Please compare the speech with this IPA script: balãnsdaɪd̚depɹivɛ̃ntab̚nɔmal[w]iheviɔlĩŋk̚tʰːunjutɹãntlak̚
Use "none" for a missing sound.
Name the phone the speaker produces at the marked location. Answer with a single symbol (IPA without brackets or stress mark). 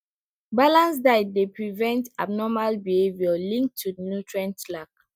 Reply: b